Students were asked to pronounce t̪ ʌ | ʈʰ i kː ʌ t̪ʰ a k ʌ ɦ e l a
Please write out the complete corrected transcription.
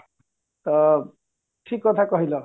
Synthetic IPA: t̪ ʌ | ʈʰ i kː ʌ t̪ʰ a k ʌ ɦ i l ʌ